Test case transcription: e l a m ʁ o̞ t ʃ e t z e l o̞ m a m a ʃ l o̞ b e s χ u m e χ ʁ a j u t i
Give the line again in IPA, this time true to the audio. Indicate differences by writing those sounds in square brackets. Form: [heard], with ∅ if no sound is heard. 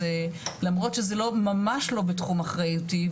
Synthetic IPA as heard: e l a m ʁ o̞ t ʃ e [∅] z e l o̞ m a m a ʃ l o̞ b e [t] χ u m [a] χ ʁ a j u t i